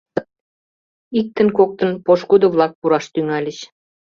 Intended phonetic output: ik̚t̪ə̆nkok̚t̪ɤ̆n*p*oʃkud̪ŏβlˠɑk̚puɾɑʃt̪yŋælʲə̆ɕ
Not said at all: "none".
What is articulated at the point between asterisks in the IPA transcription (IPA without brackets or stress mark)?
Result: p